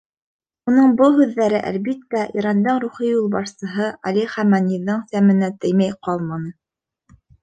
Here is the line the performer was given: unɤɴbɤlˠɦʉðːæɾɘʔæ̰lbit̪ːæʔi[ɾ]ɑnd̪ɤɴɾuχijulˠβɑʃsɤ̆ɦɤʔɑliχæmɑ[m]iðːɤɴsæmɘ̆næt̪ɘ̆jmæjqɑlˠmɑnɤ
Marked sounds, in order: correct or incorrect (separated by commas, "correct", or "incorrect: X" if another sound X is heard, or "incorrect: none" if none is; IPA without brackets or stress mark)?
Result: correct, incorrect: n